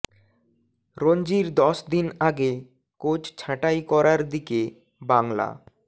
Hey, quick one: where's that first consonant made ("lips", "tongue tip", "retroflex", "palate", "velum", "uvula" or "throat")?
tongue tip